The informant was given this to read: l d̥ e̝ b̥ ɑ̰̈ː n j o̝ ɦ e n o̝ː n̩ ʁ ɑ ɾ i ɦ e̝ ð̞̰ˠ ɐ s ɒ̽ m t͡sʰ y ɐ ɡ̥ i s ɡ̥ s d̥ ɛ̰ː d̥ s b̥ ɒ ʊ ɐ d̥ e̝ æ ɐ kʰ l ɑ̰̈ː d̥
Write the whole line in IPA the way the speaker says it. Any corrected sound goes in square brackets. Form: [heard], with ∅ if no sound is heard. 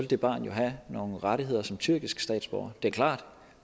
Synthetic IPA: l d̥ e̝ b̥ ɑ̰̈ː n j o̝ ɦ [æ] n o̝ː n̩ ʁ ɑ ɾ i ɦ e̝ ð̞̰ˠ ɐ s ɒ̽ m t͡sʰ y ɐ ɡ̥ i s ɡ̥ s d̥ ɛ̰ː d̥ s b̥ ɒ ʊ ɐ d̥ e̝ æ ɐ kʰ l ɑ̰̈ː d̥